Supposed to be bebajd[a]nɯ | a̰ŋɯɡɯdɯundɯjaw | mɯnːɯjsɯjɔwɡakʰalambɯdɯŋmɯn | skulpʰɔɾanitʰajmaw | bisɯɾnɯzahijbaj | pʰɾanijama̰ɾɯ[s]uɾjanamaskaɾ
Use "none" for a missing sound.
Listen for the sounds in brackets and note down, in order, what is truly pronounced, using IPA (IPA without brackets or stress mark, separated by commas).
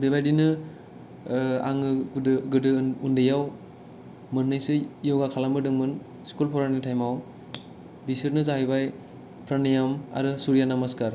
i, s